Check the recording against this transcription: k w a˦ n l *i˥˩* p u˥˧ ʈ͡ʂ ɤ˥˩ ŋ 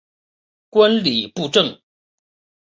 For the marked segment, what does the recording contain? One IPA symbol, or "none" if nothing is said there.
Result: i˨˩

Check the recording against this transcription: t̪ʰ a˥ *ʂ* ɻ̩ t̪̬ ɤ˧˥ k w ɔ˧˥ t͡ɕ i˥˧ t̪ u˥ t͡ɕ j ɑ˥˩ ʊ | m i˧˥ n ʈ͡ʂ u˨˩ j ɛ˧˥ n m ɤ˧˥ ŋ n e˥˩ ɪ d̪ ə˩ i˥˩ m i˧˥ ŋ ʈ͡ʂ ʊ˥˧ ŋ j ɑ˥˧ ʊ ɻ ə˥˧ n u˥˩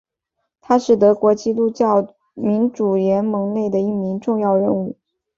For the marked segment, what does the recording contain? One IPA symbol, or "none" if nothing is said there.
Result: ʂ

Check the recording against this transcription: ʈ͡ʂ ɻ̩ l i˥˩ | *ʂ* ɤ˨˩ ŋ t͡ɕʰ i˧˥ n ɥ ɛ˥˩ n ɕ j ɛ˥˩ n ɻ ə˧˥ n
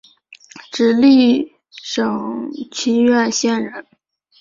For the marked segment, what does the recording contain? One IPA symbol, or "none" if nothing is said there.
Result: ʂ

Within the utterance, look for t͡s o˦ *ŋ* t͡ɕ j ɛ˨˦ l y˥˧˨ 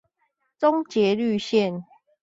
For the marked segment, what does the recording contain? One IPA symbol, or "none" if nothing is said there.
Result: ŋ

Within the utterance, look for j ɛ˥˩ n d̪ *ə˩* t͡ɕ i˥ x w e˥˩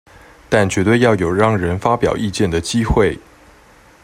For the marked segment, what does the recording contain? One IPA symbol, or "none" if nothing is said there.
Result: ə˩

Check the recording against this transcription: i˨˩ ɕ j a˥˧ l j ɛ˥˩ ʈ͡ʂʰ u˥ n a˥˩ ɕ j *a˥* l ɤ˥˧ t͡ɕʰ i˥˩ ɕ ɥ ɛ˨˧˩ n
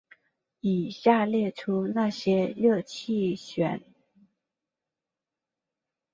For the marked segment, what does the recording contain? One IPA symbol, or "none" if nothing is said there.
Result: ɛ˥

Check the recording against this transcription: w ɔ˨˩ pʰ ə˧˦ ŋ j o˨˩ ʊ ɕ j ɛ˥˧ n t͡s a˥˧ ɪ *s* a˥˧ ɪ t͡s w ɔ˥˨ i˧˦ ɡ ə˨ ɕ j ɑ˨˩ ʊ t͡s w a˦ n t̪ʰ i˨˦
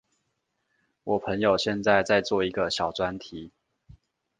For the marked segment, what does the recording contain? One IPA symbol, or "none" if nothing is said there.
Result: t͡s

